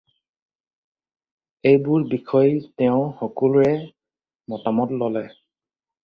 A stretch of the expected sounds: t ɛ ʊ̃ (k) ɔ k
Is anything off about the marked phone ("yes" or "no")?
yes